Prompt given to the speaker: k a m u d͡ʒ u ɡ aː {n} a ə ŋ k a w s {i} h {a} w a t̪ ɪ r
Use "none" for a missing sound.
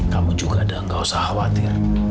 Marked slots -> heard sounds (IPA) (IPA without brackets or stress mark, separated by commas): d, a, a